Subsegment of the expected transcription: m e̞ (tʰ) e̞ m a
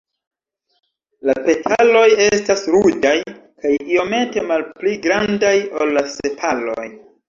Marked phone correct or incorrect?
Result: incorrect